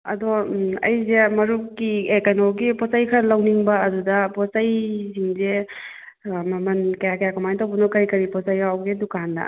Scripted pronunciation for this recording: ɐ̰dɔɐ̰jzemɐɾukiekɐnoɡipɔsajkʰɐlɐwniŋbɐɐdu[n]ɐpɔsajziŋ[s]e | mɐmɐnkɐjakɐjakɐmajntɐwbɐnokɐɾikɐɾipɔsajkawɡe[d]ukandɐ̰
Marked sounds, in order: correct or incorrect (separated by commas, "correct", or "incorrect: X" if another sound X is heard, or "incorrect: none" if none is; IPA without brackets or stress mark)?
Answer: incorrect: d, incorrect: z, correct